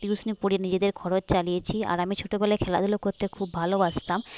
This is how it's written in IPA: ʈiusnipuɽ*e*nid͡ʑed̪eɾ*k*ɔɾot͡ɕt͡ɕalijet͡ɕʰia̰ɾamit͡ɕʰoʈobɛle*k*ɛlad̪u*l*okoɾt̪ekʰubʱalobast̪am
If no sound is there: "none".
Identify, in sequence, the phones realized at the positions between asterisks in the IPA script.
i, kʰ, kʰ, l

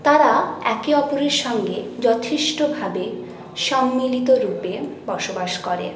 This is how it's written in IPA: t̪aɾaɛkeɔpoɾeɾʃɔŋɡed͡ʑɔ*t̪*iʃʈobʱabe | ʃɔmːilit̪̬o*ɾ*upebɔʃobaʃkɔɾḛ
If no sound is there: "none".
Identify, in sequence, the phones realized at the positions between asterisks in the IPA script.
t̪ʰ, ɾ

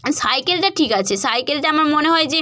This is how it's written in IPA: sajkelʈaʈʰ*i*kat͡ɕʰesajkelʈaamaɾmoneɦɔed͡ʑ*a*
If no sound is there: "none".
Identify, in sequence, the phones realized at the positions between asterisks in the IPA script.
i, e

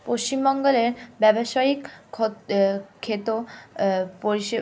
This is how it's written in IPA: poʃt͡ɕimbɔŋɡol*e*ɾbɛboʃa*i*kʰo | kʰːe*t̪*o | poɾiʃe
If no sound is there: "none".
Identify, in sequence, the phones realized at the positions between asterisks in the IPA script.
e, i, t̪

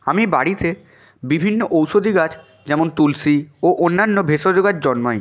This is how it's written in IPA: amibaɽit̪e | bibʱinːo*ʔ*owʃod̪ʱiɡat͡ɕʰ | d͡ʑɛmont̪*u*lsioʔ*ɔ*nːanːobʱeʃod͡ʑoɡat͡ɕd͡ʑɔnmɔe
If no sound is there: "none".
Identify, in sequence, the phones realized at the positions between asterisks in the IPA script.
ʔ, u, o

